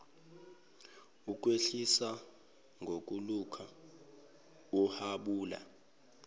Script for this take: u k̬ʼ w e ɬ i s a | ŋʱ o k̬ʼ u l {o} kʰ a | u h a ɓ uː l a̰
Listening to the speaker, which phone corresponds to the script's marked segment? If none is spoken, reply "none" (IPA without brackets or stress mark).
u